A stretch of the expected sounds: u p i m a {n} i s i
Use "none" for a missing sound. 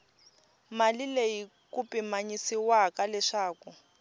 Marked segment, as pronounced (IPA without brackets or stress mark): ɲ